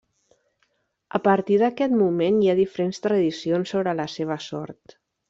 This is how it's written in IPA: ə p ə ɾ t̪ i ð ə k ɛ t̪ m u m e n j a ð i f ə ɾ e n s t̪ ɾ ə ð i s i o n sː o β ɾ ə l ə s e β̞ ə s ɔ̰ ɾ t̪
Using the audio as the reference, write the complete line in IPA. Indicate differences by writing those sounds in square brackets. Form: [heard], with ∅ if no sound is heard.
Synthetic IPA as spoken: ə p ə ɾ t̪ i ð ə k ɛ t̪ m u m e n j a ð i f ə ɾ e n s t̪ ɾ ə ð i s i o n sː o β ɾ ə l ə s e β̞ ə s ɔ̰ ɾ t̪